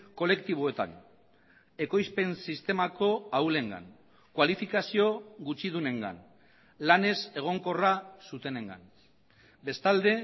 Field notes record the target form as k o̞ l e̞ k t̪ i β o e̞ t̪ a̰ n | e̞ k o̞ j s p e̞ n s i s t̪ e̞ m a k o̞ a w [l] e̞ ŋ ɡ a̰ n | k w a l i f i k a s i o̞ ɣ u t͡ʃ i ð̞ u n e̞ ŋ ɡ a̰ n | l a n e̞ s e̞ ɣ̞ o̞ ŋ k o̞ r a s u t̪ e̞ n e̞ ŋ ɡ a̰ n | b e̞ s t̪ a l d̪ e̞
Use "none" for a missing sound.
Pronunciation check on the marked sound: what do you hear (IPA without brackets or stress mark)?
l